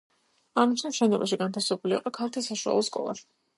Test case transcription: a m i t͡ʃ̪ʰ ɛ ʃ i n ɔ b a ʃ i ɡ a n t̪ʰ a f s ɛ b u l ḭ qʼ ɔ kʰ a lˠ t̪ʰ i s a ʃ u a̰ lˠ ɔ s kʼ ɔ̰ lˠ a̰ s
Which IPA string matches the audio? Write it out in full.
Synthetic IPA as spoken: a m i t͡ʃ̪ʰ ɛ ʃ ɛ n ɔ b a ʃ i ɡ a n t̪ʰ a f s ɛ b u l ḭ qʼ ɔ kʰ a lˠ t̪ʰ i s a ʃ u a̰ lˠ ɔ s kʼ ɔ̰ lˠ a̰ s